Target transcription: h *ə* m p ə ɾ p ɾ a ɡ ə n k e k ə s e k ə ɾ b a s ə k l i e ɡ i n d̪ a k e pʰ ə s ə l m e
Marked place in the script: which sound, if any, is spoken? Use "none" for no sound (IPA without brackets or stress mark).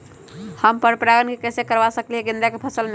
ə